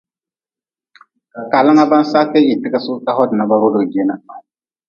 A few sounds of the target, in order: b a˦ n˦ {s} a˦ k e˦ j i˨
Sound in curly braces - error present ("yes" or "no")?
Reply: no